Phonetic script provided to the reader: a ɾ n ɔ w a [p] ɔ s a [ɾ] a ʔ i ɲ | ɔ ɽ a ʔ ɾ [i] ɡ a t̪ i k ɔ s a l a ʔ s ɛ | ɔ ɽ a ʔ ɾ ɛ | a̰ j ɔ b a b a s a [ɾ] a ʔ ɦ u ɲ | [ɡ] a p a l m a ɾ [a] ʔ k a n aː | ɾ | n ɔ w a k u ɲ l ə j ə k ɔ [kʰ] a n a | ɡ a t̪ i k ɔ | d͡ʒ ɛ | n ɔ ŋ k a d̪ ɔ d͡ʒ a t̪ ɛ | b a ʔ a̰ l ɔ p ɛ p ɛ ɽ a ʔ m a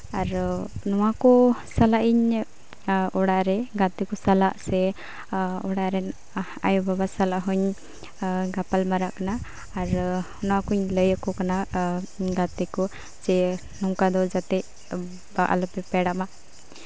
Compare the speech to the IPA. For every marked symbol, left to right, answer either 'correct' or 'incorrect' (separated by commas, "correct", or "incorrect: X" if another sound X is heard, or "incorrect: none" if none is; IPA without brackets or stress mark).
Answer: incorrect: k, incorrect: l, incorrect: ɛ, incorrect: l, correct, correct, incorrect: k